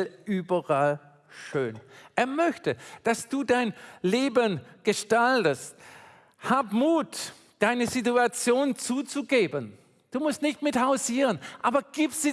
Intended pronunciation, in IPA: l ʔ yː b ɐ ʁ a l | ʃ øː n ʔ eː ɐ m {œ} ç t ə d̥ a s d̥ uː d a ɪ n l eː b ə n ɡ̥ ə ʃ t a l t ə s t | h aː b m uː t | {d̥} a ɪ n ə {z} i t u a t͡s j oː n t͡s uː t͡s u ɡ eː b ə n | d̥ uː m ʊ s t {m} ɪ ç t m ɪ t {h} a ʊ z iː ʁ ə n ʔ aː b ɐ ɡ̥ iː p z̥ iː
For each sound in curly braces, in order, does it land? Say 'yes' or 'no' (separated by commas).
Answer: yes, yes, yes, no, yes